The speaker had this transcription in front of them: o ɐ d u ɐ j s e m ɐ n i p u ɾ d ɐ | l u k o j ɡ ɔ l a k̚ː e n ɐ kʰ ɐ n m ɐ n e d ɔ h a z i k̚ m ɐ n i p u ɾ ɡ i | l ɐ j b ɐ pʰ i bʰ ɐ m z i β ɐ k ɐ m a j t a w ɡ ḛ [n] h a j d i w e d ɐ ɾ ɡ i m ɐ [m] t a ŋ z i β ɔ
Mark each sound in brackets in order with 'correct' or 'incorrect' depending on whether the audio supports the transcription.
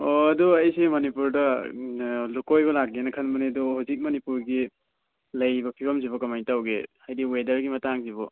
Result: incorrect, incorrect

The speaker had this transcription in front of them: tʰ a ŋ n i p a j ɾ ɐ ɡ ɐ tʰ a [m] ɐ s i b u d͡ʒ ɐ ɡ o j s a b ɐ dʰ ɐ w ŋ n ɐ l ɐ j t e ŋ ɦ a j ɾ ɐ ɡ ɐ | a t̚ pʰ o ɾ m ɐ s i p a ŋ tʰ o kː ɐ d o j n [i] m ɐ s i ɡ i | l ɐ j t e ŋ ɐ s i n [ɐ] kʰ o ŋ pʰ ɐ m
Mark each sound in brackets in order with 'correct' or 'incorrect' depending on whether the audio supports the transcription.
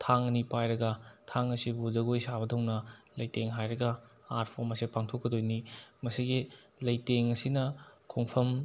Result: incorrect, correct, correct

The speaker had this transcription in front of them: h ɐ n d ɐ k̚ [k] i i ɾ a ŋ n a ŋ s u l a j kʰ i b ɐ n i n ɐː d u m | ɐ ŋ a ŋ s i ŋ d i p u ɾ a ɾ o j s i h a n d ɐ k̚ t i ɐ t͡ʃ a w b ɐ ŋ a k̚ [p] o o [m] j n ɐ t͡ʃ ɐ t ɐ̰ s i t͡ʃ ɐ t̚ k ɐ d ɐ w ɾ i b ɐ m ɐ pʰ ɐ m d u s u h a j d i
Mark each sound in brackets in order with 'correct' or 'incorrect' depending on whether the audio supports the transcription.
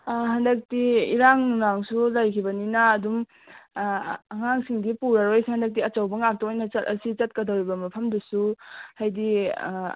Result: incorrect, incorrect, incorrect

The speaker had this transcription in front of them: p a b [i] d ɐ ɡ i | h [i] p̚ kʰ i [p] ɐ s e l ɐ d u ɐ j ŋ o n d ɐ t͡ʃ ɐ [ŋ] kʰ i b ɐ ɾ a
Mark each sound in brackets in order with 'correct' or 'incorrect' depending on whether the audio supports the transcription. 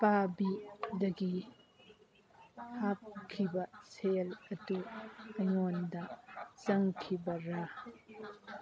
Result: correct, incorrect, incorrect, correct

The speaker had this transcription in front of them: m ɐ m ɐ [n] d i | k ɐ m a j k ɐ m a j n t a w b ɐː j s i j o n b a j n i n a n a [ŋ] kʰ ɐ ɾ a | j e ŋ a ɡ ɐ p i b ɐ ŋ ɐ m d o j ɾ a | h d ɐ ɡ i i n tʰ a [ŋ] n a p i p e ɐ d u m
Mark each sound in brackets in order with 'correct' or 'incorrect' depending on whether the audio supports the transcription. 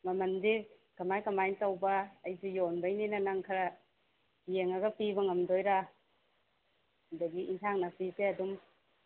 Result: correct, correct, correct

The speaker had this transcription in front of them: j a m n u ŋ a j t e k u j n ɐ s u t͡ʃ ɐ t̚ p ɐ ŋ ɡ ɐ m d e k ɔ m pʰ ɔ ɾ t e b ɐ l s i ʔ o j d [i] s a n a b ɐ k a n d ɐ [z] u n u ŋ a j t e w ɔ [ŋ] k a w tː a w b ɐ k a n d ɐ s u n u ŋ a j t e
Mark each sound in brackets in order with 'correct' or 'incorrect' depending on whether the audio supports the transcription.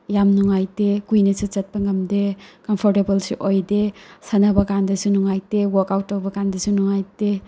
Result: incorrect, incorrect, incorrect

